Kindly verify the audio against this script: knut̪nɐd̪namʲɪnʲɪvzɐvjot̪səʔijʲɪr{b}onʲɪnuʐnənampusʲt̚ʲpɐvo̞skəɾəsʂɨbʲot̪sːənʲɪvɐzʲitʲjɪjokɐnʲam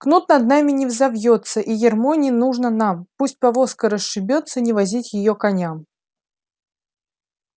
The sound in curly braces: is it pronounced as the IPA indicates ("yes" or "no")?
no